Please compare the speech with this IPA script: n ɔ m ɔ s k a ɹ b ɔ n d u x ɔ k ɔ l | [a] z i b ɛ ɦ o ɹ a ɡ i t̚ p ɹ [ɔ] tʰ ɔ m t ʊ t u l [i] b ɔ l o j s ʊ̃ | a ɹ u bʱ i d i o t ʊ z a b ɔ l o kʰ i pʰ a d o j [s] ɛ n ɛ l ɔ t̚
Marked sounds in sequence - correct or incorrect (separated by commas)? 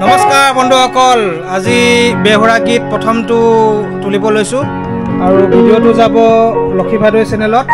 correct, correct, correct, correct